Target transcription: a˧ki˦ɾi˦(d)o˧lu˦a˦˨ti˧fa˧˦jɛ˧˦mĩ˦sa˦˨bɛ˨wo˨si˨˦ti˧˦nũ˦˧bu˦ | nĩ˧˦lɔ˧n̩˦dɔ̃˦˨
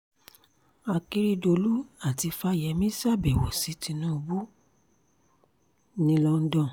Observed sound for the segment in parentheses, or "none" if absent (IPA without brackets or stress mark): d